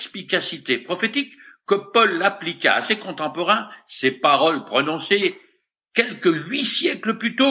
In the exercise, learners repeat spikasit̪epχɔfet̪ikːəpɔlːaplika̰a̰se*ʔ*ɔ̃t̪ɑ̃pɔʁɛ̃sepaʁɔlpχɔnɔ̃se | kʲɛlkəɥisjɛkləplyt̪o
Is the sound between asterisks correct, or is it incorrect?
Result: incorrect